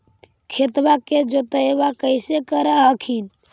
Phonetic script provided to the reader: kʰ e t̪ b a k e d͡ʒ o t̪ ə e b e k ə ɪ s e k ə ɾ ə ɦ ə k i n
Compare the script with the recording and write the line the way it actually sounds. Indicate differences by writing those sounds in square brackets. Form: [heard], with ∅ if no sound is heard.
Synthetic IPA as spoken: kʰ e t̪ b a k e d͡ʒ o t̪ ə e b [a] k ə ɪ s e k ə ɾ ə ɦ ə [kʰ] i n